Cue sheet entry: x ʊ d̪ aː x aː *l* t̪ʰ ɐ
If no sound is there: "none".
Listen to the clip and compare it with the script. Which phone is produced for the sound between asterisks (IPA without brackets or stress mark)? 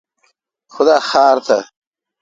ɾ